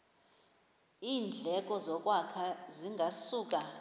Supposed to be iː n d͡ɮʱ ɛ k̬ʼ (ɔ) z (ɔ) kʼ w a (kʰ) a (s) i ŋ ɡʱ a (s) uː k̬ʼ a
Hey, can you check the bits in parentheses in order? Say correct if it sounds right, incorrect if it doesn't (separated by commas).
correct, correct, correct, incorrect, correct